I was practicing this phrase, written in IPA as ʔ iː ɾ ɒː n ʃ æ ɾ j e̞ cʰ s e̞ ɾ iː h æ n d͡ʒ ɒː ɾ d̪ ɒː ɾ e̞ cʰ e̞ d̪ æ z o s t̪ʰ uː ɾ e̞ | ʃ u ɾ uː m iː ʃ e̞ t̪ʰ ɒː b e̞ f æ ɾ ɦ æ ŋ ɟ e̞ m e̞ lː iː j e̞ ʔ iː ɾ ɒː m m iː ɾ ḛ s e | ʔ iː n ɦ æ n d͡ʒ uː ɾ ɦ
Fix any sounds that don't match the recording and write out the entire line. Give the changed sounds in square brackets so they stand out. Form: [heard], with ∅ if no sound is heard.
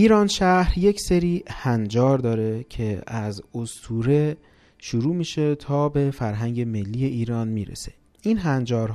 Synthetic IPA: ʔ iː ɾ ɒː n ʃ æ ɾ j e̞ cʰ s e̞ ɾ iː h æ n d͡ʒ ɒː ɾ d̪ ɒː ɾ e̞ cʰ e̞ [∅] æ z o s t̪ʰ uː ɾ e̞ | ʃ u ɾ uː m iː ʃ e̞ t̪ʰ ɒː b e̞ f æ ɾ ɦ æ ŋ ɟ e̞ m e̞ lː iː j e̞ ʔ iː ɾ ɒː [n] m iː ɾ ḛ s e | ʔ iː n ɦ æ n d͡ʒ [ɒː] ɾ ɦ